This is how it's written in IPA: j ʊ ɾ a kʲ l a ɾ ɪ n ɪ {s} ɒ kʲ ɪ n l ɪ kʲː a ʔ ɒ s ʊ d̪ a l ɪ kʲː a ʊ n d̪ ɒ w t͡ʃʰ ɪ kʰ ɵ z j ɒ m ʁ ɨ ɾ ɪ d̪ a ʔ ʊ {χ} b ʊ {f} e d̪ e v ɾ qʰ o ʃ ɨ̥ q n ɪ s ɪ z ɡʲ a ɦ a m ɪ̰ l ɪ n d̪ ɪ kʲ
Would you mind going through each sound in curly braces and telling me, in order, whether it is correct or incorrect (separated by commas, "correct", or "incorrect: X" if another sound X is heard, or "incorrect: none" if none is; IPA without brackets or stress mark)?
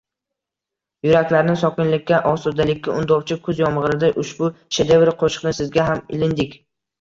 correct, incorrect: ʃ, incorrect: ʃ